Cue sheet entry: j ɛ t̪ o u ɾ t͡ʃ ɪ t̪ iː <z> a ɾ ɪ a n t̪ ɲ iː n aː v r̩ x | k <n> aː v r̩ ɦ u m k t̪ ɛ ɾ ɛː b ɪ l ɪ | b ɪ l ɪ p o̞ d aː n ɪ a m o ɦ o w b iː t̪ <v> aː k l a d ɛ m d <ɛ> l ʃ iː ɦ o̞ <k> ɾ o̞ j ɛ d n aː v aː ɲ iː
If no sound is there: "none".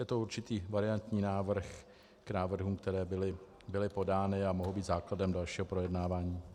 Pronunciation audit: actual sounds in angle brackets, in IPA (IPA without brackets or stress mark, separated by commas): v, n, z, a, p